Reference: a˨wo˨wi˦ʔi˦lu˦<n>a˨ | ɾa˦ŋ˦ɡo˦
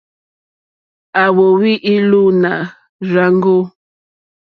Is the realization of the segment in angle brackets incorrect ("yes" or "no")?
no